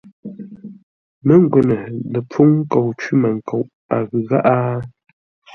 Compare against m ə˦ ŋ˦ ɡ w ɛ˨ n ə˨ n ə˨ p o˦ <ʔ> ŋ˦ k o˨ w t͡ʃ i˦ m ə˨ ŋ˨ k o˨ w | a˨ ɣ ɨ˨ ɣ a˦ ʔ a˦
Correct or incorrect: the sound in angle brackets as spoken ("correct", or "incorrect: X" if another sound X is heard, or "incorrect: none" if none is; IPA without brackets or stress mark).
incorrect: none